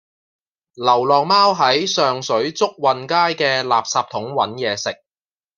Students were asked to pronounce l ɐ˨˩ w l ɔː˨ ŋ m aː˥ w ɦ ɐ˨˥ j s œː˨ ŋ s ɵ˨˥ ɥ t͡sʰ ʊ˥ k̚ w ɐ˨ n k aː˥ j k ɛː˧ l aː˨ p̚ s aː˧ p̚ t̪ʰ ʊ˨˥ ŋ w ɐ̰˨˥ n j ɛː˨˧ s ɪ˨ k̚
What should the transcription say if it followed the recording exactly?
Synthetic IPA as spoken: l ɐ˨˩ w l ɔː˨ ŋ m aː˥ w ɦ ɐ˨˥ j s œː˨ ŋ s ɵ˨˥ ɥ t͡s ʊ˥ k̚ w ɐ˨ n k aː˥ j k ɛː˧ l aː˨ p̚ s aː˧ p̚ t̪ʰ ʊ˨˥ ŋ w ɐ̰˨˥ n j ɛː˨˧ s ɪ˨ k̚